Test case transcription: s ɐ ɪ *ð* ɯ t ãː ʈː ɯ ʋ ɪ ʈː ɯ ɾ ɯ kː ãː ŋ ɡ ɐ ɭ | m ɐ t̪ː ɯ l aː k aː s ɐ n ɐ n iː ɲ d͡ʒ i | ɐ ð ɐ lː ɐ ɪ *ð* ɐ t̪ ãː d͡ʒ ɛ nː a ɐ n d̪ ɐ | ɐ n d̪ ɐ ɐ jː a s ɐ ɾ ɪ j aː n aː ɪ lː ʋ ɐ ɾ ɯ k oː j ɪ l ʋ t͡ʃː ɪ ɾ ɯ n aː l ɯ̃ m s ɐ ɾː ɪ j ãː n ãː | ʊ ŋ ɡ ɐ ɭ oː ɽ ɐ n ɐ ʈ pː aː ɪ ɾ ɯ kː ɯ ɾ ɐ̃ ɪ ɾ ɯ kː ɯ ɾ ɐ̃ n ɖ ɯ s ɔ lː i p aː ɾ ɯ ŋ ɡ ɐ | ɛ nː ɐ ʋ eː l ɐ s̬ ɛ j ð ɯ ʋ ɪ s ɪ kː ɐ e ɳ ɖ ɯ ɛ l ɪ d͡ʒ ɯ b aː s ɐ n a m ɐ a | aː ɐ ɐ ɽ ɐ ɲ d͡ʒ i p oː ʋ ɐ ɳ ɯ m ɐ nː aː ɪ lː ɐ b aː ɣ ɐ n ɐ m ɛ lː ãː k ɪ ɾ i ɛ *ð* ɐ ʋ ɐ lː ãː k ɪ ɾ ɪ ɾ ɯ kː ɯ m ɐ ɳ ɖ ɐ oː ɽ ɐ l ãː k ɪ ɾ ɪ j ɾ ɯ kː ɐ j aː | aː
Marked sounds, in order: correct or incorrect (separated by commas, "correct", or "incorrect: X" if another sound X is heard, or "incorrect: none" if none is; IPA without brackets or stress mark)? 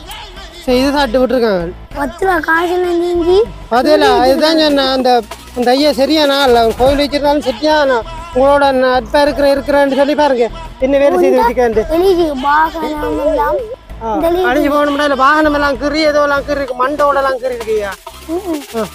correct, correct, correct